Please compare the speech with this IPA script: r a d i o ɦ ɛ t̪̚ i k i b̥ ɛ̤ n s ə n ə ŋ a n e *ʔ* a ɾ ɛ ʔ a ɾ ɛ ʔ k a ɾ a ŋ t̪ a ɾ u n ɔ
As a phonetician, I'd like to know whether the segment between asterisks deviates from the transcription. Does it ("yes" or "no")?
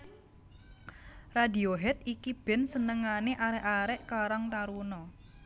no